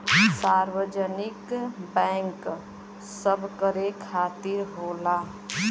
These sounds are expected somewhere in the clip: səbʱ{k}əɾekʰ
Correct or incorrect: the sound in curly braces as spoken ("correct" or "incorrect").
correct